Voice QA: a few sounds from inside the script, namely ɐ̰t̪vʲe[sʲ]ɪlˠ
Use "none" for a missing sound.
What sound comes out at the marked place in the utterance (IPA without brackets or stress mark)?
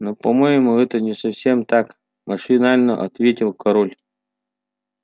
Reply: tʲ